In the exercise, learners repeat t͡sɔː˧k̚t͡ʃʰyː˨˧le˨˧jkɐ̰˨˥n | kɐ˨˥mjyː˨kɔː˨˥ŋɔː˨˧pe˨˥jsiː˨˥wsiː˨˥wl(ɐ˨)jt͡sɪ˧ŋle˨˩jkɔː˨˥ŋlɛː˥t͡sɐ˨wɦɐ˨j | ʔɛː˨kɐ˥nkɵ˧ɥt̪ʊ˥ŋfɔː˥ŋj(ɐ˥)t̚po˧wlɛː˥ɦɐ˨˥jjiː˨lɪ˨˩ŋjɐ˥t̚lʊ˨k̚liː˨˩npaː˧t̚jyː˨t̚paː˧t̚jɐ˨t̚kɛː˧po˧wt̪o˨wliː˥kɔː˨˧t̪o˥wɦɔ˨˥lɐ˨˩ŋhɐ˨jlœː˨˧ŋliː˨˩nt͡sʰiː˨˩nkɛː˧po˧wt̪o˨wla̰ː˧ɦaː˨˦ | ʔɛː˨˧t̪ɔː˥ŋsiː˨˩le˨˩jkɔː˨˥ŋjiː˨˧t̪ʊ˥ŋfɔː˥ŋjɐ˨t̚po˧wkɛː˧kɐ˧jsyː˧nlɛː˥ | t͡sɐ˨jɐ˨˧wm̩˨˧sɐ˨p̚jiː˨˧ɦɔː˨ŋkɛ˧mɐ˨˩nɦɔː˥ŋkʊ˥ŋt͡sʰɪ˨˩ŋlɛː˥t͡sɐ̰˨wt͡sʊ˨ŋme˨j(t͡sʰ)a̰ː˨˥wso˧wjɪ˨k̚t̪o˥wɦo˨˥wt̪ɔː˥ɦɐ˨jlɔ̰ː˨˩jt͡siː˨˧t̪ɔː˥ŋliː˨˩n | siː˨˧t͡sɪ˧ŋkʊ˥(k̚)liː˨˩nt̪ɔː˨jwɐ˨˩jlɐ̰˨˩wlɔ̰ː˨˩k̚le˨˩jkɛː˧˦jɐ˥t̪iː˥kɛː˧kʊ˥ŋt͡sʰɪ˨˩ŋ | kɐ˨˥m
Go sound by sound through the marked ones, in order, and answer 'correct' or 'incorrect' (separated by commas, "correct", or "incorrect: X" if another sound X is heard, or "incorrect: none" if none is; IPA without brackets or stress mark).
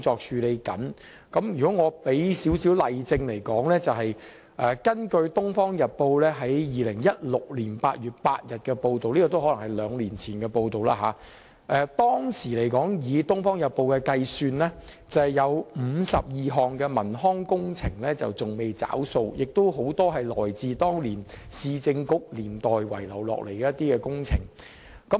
correct, incorrect: ɐ˨, incorrect: t͡s, correct